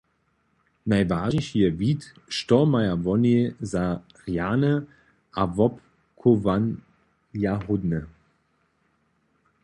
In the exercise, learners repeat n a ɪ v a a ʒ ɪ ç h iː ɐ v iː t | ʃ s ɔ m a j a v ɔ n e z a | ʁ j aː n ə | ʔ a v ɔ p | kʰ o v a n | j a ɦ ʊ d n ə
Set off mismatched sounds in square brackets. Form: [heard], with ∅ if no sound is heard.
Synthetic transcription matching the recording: n a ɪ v a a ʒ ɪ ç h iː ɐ v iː t | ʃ [t] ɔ m a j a v ɔ n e z a | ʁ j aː n ə | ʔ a v ɔ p | kʰ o v a n | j a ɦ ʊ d n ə